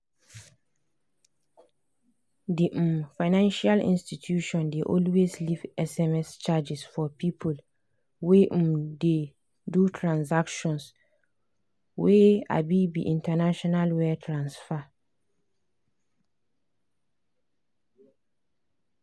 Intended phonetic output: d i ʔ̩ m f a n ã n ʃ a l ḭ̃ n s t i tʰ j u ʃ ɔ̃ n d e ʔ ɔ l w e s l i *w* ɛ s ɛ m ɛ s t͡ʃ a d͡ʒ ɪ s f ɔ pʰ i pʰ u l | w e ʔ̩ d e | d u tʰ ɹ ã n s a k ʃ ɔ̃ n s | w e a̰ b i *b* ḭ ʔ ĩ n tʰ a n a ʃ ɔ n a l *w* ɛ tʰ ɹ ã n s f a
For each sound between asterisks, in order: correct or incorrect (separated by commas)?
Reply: incorrect, correct, correct